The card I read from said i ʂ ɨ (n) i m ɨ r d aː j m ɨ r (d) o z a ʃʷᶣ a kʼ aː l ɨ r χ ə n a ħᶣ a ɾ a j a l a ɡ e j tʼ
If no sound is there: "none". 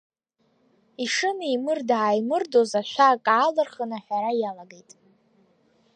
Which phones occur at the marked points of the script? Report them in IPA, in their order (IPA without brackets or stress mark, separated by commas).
n, d